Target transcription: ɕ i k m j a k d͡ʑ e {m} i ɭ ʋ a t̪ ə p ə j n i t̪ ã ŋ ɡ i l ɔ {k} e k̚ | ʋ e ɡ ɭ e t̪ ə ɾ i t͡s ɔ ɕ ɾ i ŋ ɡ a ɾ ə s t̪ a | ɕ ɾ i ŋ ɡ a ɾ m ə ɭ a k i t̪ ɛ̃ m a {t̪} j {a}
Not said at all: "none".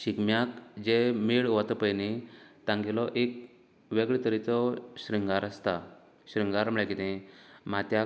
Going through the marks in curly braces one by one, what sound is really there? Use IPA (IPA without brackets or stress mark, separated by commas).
m, ʔ, t̪, a